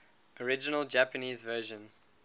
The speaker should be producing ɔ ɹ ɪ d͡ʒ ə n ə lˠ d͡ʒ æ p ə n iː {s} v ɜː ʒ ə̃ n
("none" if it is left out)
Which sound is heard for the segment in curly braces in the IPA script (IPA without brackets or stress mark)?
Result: z